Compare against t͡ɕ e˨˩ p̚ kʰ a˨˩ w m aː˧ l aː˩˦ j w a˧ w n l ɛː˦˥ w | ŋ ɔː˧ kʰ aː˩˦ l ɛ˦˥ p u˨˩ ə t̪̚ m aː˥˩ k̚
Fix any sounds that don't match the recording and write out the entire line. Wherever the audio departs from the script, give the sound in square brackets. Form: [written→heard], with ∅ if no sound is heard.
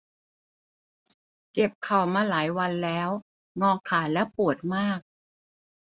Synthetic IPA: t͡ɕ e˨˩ p̚ kʰ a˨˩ w m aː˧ l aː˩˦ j w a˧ [w→∅] n l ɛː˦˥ w | ŋ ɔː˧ kʰ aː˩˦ l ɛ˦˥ p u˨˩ ə t̪̚ m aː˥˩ k̚